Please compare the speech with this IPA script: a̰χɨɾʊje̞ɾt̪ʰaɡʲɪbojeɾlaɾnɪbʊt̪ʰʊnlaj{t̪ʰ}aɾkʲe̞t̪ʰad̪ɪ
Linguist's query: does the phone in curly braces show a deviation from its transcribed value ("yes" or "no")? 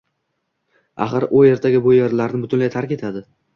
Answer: no